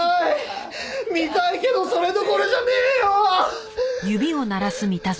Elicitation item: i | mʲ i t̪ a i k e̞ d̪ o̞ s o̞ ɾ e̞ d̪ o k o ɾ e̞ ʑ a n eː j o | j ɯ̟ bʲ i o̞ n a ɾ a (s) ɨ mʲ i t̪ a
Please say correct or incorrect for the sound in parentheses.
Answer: correct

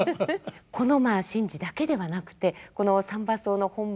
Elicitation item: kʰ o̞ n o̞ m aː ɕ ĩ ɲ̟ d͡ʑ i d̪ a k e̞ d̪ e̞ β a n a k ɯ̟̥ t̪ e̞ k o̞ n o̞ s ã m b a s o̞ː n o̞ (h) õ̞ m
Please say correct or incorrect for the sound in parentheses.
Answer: correct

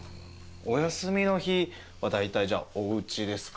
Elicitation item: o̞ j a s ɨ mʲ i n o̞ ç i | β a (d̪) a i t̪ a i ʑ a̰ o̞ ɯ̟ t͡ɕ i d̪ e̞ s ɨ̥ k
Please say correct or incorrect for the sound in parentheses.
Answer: correct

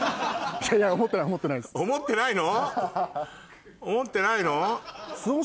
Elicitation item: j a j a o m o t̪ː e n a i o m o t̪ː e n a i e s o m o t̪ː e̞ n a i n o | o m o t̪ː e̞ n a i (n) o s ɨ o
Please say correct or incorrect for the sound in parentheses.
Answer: correct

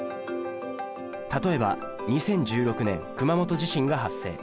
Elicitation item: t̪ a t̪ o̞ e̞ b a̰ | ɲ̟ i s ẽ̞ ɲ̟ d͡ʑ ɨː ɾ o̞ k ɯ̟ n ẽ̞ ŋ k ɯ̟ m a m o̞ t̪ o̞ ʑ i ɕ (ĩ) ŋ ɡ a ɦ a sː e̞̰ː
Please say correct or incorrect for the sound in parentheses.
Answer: correct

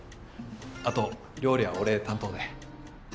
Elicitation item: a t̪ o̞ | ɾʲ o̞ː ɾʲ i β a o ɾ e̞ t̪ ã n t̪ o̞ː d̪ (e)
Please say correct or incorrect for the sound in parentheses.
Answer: correct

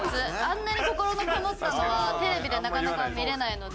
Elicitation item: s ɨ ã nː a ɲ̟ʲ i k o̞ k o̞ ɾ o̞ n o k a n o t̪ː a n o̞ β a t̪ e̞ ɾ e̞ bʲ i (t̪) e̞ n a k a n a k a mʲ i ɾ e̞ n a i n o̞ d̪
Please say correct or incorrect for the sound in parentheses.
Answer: incorrect: d̪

